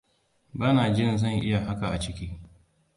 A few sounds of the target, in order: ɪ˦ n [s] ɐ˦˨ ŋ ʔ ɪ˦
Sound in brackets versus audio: incorrect: z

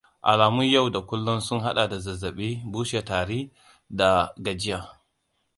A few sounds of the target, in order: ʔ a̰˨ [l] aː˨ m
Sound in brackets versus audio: correct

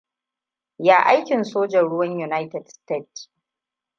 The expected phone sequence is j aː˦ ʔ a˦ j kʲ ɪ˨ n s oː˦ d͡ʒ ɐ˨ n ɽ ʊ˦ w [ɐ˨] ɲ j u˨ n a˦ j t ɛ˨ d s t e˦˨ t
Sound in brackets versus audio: incorrect: ɐ˦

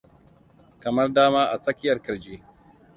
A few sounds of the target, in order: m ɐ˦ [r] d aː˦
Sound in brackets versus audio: correct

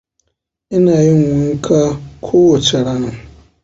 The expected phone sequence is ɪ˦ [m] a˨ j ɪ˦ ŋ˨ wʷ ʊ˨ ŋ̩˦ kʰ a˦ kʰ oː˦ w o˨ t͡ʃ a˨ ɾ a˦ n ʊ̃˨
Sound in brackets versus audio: incorrect: n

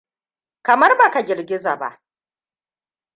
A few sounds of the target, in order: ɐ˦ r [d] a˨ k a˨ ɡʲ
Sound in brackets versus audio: incorrect: b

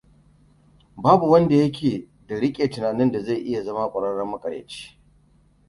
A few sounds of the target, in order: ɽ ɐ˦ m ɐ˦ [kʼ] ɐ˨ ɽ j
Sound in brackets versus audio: correct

